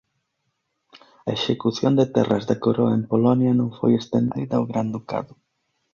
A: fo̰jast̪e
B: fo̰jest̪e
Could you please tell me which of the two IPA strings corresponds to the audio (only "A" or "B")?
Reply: B